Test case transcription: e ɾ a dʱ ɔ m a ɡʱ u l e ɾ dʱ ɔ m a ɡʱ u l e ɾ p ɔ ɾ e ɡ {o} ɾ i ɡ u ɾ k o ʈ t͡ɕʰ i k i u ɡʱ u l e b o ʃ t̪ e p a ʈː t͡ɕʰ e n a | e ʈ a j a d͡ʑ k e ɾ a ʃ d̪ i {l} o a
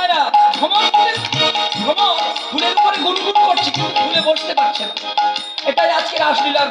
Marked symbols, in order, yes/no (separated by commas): no, yes